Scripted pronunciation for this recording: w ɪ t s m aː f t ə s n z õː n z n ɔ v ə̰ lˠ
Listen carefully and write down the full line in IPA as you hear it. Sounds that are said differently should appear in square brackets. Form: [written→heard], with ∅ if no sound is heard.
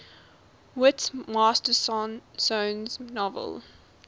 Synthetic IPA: w ɪ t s m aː [f→s] t ə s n [z→s] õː n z n ɔ v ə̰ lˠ